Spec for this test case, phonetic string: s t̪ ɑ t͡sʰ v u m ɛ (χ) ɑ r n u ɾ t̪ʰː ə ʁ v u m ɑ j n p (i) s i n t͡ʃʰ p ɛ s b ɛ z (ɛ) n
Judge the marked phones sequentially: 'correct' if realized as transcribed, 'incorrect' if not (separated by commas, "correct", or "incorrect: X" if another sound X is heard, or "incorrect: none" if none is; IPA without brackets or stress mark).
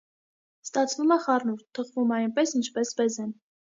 correct, incorrect: ɛ, correct